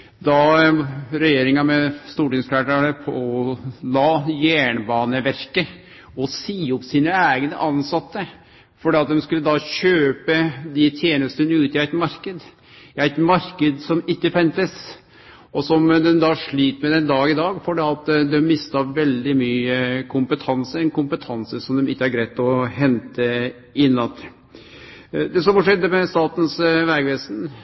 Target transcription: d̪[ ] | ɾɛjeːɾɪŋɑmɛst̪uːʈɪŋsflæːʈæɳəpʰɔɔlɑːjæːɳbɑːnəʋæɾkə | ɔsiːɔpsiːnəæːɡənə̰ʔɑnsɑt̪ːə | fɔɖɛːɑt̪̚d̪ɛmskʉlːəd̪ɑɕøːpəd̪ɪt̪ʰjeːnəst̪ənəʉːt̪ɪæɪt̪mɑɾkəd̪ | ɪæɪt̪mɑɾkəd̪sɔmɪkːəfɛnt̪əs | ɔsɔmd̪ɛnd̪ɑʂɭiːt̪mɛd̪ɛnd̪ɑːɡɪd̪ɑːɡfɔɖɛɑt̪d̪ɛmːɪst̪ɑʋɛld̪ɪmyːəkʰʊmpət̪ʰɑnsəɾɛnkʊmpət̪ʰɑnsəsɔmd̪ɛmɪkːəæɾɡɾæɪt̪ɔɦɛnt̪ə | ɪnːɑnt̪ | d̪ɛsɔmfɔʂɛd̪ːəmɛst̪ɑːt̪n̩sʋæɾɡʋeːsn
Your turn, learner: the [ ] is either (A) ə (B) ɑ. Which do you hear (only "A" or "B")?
B